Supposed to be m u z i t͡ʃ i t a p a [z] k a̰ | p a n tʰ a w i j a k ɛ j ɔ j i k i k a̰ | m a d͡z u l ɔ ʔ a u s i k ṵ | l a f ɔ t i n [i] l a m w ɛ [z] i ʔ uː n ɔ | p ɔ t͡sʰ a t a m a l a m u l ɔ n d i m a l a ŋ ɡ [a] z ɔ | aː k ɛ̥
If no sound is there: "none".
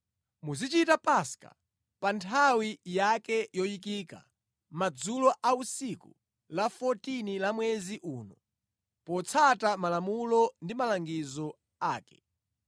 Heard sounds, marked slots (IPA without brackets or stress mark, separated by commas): s, i, z, i